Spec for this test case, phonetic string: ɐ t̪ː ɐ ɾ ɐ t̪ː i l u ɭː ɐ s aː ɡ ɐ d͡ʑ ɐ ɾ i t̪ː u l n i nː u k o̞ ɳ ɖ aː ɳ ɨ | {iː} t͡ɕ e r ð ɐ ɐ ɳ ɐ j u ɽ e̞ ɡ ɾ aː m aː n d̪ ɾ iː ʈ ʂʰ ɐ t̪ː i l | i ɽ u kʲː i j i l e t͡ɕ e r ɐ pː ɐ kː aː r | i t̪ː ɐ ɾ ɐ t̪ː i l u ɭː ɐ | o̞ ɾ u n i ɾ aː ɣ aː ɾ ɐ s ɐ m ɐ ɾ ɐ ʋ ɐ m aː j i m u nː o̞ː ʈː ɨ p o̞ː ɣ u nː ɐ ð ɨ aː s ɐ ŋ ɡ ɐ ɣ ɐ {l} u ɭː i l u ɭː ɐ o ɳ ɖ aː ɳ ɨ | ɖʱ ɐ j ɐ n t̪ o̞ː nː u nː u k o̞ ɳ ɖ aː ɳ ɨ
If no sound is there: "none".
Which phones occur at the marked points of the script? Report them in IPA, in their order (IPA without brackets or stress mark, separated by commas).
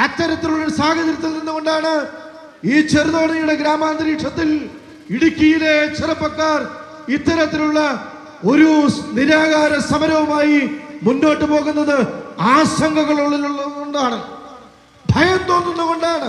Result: iː, ɭ